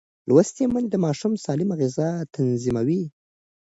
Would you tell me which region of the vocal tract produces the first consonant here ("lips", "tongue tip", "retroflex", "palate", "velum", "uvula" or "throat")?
tongue tip